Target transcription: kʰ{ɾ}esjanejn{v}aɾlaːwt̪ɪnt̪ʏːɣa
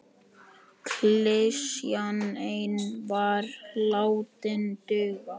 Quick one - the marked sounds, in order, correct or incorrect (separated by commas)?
incorrect, correct